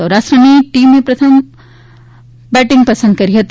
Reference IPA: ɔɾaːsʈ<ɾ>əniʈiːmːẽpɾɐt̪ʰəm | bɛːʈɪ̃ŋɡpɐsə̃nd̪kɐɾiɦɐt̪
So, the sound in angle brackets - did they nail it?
yes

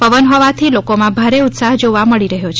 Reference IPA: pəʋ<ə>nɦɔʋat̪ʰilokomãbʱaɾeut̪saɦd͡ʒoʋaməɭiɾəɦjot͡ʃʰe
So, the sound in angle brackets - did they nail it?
yes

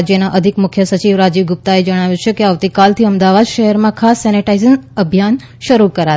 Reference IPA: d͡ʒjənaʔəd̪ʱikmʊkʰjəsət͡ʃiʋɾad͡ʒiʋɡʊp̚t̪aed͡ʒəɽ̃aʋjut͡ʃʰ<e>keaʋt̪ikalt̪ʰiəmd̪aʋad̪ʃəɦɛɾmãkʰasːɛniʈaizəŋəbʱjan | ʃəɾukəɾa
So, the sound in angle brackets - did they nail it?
yes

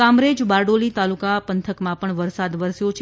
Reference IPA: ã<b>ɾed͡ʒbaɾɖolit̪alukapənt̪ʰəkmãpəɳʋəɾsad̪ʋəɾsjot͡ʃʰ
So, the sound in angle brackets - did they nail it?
no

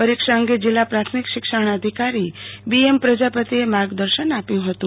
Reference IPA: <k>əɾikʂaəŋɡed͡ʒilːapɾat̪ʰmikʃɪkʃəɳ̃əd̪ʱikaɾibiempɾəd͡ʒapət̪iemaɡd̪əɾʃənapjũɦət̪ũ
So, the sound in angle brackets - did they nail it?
no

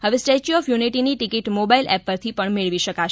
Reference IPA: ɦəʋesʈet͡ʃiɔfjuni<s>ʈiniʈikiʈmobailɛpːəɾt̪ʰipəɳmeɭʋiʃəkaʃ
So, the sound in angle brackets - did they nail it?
no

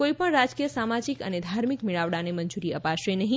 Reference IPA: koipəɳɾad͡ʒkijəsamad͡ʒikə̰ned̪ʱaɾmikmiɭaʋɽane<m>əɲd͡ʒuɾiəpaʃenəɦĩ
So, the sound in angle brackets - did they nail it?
yes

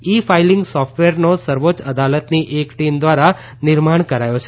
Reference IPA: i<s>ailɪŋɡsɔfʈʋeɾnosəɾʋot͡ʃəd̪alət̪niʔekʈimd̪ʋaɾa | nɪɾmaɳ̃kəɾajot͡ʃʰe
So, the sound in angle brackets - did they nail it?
no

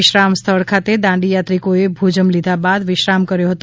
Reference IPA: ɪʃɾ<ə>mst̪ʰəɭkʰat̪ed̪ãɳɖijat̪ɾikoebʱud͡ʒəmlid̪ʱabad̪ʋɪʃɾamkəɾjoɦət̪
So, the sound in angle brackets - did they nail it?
no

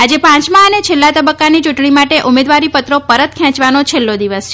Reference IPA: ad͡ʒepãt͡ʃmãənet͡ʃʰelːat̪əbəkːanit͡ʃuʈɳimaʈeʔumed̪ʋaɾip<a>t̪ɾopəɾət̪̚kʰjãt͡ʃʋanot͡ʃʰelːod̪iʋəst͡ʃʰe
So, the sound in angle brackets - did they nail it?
no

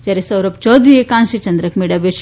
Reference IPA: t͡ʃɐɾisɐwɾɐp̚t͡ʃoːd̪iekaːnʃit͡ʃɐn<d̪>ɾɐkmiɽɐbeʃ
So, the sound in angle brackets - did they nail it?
yes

